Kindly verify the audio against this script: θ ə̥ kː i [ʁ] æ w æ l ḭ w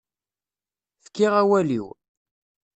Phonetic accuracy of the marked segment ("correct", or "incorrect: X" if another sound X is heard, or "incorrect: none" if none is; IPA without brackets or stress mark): correct